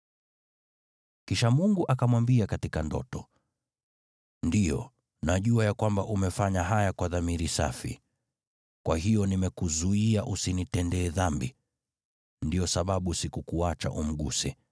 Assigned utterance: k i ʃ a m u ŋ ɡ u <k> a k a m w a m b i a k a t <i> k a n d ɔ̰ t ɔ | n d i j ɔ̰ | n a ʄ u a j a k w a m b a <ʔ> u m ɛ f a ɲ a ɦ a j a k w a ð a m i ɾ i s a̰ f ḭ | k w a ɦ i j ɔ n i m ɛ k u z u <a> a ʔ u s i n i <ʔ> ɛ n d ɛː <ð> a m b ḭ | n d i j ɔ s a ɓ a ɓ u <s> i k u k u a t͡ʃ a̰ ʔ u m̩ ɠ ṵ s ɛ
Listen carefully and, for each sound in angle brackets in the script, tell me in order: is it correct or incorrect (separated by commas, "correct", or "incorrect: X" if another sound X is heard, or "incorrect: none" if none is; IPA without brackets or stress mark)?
incorrect: ʔ, correct, correct, incorrect: i, incorrect: t, correct, correct